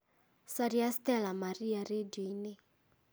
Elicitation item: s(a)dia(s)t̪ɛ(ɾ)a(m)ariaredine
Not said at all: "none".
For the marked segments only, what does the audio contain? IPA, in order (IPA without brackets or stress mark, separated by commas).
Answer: a, s, l, m